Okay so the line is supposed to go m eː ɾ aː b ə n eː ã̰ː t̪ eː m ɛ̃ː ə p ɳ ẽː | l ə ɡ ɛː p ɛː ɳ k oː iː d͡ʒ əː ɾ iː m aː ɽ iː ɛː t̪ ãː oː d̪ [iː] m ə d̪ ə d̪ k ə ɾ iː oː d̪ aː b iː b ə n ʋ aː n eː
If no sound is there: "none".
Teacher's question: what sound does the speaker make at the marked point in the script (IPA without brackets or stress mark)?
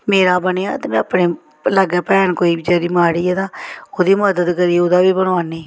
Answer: iː